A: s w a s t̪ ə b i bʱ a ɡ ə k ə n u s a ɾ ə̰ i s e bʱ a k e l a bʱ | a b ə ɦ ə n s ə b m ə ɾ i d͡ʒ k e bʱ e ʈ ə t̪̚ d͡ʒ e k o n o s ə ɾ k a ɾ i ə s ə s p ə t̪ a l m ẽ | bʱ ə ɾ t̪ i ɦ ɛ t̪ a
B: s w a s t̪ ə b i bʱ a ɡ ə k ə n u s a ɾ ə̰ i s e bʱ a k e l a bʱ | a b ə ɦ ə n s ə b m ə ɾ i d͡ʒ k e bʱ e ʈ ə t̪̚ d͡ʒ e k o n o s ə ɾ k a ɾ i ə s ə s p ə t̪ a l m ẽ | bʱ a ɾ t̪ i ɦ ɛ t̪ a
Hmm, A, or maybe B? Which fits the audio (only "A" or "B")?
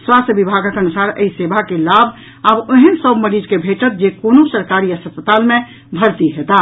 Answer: A